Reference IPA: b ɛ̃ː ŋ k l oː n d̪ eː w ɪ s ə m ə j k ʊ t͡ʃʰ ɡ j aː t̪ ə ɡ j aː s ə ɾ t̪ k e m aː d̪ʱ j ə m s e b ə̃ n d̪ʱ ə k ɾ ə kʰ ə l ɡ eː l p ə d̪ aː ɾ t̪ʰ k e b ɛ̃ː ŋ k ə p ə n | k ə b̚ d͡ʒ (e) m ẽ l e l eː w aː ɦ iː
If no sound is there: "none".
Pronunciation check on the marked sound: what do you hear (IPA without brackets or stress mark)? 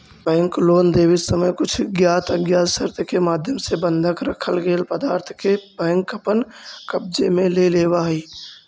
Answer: e